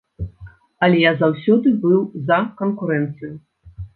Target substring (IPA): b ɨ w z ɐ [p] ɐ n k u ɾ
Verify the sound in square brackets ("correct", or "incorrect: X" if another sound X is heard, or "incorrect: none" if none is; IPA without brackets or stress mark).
incorrect: k